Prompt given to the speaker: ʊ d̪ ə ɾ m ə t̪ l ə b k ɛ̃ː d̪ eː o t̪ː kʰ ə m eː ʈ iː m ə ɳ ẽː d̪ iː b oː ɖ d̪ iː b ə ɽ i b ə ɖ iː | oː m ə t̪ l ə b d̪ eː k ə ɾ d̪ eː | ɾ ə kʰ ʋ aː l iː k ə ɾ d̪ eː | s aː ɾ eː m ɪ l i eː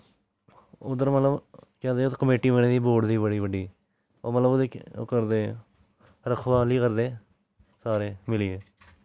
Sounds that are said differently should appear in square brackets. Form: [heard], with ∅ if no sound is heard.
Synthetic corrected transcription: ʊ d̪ ə ɾ m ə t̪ l ə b k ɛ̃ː d̪ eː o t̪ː [k] ə m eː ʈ iː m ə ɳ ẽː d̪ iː b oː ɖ d̪ iː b ə ɽ [iː] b ə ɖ iː | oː m ə t̪ l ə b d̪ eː k ə ɾ d̪ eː | ɾ ə kʰ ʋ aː l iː k ə ɾ d̪ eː | s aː ɾ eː m ɪ l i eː